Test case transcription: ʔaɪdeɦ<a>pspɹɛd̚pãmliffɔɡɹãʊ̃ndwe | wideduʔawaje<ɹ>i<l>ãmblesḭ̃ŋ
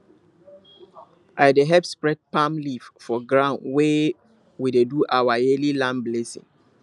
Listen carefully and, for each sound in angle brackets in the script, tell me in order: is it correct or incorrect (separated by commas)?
incorrect, incorrect, correct